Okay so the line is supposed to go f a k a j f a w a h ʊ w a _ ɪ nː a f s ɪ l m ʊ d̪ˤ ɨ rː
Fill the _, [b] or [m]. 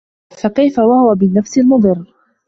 b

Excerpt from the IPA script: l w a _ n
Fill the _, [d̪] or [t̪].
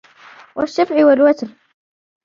t̪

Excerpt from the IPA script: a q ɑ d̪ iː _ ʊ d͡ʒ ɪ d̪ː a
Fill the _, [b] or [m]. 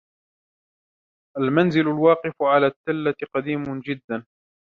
m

